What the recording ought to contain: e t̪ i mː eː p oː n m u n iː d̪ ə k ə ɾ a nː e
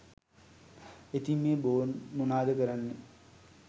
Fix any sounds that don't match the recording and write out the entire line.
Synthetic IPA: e t̪ i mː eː b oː n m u n aː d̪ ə k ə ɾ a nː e